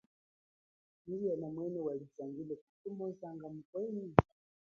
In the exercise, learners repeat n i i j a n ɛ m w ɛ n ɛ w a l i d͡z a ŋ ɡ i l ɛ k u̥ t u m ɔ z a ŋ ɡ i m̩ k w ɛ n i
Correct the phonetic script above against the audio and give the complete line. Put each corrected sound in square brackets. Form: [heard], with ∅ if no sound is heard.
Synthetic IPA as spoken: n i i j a n [a] m w ɛ n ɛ w a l i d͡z a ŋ ɡ i l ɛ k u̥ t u m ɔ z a ŋ ɡ [a] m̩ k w ɛ n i